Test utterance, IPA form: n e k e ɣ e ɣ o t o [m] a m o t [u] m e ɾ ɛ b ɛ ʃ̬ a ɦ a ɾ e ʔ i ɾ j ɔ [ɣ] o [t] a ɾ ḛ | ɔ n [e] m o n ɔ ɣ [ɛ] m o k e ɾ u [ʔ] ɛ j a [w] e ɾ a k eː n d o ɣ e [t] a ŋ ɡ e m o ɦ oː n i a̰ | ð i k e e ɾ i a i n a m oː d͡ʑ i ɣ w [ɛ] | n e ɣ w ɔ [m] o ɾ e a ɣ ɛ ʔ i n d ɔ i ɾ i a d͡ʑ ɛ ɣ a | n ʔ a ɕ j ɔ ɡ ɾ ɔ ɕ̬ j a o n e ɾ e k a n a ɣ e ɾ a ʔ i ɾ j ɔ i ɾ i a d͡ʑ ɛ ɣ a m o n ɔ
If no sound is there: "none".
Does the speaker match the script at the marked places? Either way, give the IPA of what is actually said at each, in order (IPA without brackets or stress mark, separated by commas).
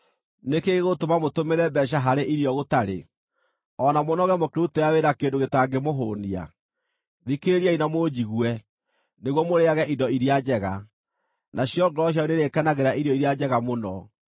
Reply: m, o, ɣ, t, a, ɛ, t, w, t, ɛ, m